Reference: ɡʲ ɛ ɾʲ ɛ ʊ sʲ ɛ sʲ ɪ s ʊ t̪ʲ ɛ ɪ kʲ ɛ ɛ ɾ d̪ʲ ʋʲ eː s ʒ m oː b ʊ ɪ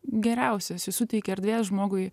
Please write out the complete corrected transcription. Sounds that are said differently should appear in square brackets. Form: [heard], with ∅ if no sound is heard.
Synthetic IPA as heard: ɡʲ ɛ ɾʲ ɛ ʊ sʲ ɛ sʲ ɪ s ʊ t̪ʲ ɛ ɪ kʲ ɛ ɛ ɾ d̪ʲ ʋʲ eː s ʒ m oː [ɡ] ʊ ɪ

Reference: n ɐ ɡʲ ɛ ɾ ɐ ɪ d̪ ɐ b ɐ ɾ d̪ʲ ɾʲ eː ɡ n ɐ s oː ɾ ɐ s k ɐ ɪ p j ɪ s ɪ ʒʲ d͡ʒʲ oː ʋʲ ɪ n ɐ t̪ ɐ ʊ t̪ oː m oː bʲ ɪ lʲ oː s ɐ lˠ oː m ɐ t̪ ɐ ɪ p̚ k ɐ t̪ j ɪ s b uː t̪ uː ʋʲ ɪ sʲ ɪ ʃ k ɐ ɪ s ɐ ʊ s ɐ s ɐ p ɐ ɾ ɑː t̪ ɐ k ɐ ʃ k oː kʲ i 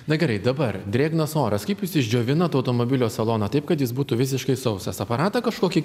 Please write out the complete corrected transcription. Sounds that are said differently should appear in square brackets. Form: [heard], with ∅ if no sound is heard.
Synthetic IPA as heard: n ɐ ɡʲ ɛ ɾ ɐ ɪ d̪ ɐ b ɐ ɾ d̪ʲ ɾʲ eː ɡ n ɐ s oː ɾ ɐ s k ɐ ɪ p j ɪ s ɪ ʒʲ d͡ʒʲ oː ʋʲ ɪ n ɐ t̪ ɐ ʊ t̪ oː m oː bʲ ɪ lʲ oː s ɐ lˠ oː [n] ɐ t̪ ɐ ɪ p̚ k ɐ t̪ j ɪ s b uː t̪ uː ʋʲ ɪ sʲ ɪ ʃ k ɐ ɪ s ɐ ʊ s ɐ s ɐ p ɐ ɾ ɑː t̪ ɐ k ɐ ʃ k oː kʲ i

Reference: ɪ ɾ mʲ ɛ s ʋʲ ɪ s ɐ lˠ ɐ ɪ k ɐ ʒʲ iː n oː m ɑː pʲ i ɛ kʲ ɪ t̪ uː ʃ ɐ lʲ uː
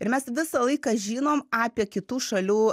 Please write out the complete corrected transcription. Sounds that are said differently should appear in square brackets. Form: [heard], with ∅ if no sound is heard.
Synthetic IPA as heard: ɪ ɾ mʲ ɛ s ʋʲ ɪ s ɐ lˠ ɐ ɪ k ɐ ʒʲ iː n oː m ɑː pʲ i ɛ kʲ ɪ t̪ uː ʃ ɐ lʲ uː

